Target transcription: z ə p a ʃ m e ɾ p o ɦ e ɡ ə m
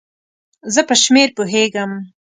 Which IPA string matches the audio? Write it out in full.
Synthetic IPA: z ə p ə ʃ m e ɾ p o ɦ e ɡ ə m